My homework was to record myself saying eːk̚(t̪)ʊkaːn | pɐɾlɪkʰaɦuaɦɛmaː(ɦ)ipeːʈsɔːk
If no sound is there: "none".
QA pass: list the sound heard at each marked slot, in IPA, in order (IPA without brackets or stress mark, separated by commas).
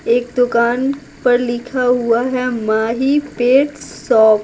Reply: d̪, ɦ